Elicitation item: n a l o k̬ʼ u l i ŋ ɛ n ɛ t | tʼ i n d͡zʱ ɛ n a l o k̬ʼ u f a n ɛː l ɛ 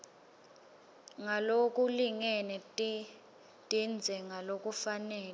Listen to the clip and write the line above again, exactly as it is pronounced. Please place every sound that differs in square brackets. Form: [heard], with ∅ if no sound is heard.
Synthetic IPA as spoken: [ŋ] a l o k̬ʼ u l i ŋ ɛ n ɛ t | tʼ i n d͡zʱ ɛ [ŋ] a l o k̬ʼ u f a n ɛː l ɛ